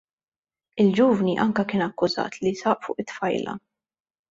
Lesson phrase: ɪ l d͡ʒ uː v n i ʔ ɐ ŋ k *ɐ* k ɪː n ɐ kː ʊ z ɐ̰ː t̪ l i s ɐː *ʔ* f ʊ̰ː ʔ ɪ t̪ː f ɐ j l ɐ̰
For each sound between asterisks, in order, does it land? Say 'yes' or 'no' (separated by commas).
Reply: yes, yes